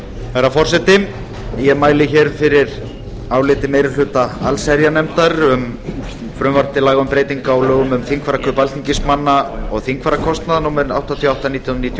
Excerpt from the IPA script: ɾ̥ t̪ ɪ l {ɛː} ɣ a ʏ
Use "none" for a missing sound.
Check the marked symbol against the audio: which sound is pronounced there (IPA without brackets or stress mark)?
aː